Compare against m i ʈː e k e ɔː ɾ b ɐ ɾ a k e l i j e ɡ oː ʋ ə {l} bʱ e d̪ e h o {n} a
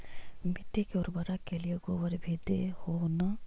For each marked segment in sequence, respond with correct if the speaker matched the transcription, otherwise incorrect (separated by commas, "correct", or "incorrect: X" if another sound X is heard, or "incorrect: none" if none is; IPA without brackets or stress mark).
incorrect: ɾ, correct